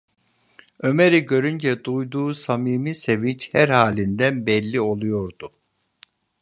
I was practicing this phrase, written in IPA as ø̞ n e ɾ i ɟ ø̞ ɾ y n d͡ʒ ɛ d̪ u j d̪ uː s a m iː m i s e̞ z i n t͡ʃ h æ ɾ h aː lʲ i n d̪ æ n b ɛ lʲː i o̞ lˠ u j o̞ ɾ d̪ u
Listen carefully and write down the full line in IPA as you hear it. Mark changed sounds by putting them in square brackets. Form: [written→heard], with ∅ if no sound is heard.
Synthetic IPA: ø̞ [n→m] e ɾ i ɟ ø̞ ɾ y n d͡ʒ ɛ d̪ u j d̪ uː s a m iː m i s e̞ [z→v] i n t͡ʃ h æ ɾ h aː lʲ i n d̪ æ n b ɛ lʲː i o̞ lˠ u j o̞ ɾ d̪ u